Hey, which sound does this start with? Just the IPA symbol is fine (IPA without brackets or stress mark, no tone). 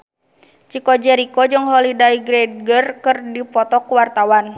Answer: t͡ʃ